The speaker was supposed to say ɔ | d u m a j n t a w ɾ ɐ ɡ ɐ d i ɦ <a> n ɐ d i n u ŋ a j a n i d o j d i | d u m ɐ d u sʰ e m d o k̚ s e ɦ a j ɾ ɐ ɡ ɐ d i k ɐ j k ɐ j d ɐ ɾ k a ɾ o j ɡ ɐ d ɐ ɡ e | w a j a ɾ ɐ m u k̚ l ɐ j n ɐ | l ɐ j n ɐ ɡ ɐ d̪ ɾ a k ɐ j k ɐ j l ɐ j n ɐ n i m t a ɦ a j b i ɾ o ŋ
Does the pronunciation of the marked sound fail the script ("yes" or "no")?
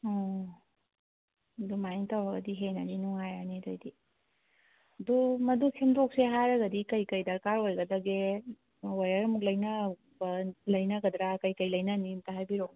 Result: yes